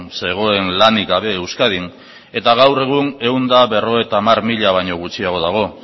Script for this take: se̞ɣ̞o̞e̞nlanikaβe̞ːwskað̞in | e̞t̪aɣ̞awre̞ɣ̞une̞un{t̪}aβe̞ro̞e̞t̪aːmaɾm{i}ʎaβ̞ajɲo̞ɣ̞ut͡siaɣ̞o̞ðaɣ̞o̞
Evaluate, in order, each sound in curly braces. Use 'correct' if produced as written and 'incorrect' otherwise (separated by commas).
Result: incorrect, correct